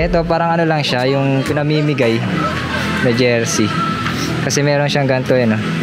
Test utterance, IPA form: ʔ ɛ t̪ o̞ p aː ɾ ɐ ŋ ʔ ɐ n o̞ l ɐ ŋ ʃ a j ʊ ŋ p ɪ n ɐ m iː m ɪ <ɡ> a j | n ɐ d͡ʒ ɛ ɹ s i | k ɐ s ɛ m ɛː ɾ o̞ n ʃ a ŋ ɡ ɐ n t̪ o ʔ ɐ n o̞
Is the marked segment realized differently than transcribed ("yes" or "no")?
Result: no